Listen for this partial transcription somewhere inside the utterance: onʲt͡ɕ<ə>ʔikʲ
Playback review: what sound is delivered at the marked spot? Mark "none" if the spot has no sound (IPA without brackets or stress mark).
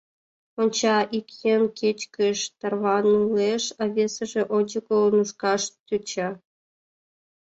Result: ɑ